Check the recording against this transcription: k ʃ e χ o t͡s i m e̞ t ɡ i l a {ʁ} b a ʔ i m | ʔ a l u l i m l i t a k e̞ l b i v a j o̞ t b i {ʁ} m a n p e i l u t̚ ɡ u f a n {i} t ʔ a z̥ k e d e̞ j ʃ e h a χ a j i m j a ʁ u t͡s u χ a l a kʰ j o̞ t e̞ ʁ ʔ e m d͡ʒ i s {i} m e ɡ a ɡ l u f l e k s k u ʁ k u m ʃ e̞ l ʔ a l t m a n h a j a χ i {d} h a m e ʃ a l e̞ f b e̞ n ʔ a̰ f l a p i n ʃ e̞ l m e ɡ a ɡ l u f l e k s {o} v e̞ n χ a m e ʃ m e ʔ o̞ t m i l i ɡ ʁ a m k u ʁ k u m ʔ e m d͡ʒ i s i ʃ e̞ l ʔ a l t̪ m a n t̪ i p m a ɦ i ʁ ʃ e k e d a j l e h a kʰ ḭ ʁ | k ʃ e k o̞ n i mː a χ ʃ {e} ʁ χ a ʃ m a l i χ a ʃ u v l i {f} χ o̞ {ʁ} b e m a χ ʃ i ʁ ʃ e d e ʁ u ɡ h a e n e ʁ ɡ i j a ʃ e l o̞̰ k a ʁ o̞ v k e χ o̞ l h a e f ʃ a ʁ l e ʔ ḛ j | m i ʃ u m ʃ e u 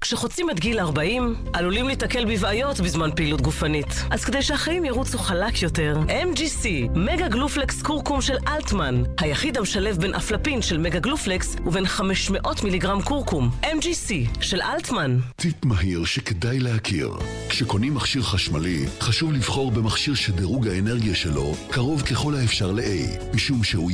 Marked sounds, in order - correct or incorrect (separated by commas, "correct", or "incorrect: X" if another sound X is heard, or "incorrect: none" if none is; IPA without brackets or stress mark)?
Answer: correct, incorrect: z, correct, correct, correct, incorrect: u, incorrect: i, incorrect: v, correct